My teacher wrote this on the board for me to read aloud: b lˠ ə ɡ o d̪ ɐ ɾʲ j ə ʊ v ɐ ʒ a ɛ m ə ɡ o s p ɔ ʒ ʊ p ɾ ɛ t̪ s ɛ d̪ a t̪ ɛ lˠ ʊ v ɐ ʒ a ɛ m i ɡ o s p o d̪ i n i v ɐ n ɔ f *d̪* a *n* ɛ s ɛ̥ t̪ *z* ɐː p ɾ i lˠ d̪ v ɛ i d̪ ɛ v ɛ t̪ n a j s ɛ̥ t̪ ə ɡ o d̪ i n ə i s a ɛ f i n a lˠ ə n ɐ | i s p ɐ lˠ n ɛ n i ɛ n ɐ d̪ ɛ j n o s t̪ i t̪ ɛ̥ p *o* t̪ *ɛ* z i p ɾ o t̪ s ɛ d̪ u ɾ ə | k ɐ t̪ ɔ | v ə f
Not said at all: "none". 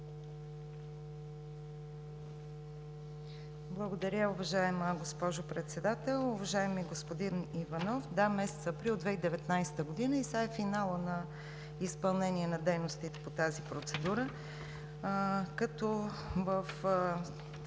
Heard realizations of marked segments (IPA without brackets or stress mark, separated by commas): d̪, m, s, o, a